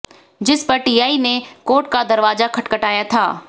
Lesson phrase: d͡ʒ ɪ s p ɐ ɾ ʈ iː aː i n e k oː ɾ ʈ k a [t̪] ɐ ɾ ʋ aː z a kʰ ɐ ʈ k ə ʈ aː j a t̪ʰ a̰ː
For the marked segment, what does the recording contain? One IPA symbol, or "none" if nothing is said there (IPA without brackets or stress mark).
d̪